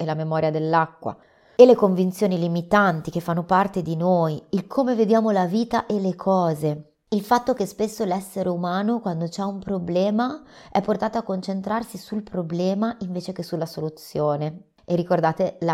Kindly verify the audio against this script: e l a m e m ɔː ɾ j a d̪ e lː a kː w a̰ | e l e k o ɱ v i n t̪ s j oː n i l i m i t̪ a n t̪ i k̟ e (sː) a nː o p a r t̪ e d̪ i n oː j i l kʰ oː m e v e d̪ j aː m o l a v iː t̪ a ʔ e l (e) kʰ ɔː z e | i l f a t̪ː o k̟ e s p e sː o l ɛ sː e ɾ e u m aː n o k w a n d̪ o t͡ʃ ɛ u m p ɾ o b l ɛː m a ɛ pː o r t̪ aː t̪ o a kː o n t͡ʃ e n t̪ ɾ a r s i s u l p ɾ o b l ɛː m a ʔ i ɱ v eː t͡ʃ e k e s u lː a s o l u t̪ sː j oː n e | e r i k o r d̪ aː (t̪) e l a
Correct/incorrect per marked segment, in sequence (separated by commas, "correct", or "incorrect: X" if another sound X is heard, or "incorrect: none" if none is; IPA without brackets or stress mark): incorrect: fː, correct, correct